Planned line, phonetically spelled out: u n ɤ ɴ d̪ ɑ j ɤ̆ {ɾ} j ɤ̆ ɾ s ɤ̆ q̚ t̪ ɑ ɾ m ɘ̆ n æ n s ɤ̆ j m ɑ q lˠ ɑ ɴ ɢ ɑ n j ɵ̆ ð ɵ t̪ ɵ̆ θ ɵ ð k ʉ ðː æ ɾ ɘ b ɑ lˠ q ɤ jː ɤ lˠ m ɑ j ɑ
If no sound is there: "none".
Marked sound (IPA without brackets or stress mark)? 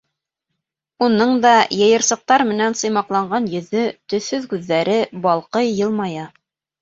none